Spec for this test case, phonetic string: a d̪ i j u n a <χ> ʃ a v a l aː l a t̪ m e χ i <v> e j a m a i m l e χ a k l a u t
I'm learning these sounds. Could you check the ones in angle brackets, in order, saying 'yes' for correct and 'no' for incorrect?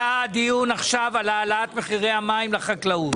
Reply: yes, no

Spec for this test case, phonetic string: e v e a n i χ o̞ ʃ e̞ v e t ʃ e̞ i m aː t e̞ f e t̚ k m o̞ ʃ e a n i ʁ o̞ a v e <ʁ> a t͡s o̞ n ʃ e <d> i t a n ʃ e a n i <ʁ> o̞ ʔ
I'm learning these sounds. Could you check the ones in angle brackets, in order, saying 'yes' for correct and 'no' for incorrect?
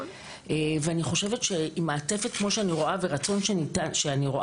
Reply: yes, no, yes

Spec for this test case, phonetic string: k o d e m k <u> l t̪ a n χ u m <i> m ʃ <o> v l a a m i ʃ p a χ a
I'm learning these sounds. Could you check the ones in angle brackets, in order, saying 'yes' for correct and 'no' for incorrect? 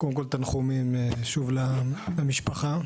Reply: no, yes, no

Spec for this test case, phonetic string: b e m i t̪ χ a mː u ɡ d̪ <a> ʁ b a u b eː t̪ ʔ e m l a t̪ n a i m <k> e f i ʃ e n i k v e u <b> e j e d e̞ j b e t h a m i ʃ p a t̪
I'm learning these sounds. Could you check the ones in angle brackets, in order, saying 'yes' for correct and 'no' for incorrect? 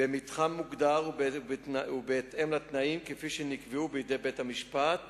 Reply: yes, yes, yes

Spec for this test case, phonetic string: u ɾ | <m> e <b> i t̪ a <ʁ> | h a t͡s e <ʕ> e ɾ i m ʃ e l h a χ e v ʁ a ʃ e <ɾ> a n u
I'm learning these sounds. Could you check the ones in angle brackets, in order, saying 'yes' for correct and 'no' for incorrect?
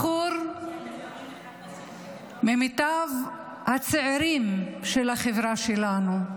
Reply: yes, no, no, yes, no

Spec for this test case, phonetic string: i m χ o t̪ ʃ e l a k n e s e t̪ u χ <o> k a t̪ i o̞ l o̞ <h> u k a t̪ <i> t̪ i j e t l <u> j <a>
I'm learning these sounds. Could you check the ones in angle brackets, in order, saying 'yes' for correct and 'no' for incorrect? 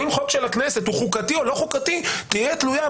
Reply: no, no, yes, yes, yes

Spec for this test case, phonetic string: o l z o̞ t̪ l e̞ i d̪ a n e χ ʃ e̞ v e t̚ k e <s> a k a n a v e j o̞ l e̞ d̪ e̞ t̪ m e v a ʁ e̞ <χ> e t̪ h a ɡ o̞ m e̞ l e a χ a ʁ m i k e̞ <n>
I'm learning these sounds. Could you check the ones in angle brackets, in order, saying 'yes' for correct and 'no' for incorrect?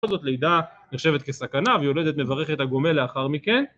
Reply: yes, yes, yes

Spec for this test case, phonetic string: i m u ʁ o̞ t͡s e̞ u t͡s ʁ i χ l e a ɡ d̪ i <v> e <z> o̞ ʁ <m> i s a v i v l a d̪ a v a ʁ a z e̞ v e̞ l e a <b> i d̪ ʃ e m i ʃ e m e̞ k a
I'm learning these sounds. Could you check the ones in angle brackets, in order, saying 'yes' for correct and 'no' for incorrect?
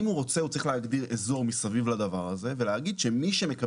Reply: no, yes, yes, no

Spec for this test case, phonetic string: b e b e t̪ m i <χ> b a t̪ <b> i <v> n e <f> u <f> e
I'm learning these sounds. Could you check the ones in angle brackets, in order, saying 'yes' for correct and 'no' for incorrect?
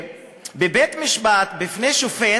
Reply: no, yes, no, no, yes

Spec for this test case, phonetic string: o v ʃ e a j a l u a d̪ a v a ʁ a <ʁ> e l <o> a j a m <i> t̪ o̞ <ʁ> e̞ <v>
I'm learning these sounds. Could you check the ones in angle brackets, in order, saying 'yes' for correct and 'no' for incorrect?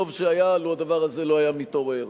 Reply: no, yes, yes, yes, no

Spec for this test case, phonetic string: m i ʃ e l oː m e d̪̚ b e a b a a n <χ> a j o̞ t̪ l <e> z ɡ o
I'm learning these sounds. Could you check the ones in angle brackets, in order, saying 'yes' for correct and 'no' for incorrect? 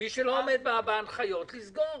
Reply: yes, no

